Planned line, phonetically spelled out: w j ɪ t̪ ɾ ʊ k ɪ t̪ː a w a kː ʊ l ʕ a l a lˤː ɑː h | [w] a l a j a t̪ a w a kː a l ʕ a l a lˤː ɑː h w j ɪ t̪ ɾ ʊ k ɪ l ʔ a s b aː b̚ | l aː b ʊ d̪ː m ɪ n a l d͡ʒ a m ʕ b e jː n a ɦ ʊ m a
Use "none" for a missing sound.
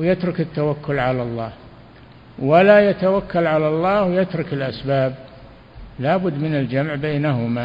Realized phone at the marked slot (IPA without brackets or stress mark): w